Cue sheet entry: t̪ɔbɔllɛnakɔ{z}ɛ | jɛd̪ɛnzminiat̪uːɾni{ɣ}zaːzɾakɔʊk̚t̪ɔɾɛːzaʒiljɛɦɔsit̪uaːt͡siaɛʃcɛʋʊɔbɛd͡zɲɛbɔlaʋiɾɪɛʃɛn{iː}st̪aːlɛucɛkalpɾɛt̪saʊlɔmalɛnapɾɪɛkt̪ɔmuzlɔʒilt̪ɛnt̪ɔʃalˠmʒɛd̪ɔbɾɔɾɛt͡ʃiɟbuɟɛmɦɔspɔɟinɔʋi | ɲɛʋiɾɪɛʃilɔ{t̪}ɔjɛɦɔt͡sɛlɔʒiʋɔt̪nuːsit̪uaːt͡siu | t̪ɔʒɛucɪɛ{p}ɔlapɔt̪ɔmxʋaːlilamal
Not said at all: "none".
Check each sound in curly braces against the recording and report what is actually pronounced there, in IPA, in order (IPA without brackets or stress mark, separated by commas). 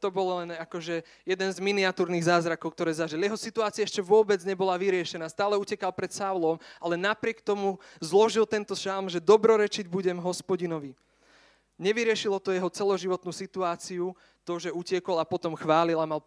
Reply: ʒ, ɣ, aː, t̪, k